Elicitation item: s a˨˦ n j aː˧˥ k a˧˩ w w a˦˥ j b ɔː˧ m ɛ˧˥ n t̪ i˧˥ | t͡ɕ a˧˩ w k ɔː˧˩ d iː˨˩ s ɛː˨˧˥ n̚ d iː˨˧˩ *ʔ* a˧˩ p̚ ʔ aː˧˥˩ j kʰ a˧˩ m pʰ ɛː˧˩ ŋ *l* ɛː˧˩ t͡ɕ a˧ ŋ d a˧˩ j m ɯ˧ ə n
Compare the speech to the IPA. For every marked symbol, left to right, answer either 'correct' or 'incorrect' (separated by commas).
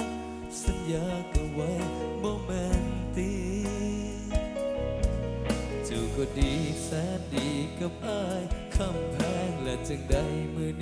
incorrect, correct